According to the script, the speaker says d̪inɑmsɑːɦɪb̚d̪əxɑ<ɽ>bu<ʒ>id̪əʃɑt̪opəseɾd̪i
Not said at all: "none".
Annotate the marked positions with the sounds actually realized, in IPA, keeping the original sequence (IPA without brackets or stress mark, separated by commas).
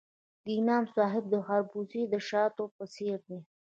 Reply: ɾ, z